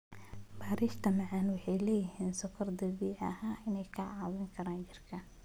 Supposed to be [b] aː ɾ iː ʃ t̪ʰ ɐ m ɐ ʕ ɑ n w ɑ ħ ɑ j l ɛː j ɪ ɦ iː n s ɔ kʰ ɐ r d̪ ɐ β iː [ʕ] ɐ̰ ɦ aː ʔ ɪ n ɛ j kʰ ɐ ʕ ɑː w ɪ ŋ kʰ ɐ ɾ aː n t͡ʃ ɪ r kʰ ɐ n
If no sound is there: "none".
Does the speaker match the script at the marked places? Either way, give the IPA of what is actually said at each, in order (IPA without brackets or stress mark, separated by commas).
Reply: b, ʕ